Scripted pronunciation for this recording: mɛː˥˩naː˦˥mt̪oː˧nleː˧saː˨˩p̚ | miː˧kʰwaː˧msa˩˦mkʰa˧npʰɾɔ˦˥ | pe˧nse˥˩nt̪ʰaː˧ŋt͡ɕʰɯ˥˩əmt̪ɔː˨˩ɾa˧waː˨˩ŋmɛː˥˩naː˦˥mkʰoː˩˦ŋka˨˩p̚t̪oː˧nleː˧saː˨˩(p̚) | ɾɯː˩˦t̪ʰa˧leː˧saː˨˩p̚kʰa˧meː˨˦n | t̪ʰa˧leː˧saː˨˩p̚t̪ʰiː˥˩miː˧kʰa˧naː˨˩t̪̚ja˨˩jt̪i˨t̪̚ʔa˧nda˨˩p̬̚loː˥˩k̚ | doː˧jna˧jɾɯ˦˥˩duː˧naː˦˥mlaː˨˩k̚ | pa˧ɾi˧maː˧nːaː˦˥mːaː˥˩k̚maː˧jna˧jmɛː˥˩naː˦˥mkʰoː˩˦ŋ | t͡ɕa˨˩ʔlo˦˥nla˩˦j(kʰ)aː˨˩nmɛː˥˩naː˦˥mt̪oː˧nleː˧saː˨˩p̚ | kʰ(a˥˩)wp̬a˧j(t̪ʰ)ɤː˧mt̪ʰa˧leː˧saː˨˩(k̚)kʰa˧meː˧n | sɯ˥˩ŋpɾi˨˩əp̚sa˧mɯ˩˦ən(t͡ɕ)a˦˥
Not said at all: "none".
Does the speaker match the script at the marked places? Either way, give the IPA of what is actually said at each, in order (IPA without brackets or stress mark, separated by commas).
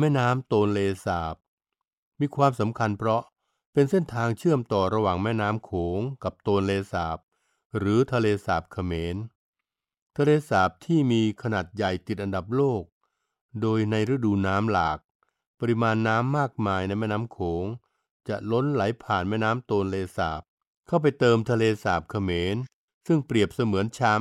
p̚, pʰ, a˥˩, t̪, p̚, t͡ɕʰ